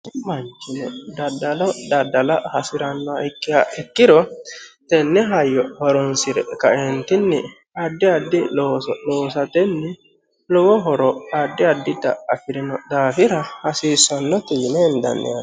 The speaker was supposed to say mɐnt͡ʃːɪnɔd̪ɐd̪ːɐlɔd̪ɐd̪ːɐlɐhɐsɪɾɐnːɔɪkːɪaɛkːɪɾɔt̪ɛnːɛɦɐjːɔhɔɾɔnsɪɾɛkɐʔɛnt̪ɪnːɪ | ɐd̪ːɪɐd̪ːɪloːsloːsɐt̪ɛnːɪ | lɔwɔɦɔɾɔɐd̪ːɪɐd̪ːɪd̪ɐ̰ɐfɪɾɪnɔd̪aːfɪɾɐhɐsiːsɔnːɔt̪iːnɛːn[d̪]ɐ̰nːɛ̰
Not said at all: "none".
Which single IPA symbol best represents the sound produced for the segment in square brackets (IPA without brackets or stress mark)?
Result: d̪